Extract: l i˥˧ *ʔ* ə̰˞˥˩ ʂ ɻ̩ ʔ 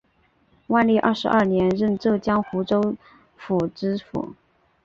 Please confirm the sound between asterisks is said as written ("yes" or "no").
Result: yes